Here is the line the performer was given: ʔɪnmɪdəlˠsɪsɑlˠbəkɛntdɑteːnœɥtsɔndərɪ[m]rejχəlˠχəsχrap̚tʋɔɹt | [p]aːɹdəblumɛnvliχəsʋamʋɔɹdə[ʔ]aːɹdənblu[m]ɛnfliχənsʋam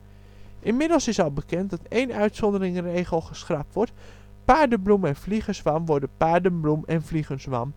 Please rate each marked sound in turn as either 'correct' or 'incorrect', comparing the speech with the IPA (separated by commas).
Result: incorrect, correct, incorrect, correct